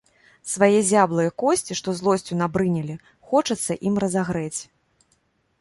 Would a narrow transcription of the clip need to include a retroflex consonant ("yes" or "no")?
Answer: yes